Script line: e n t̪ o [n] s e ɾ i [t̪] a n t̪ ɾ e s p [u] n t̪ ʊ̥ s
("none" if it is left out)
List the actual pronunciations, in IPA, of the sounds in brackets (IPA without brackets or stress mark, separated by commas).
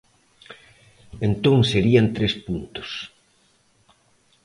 ŋ, none, u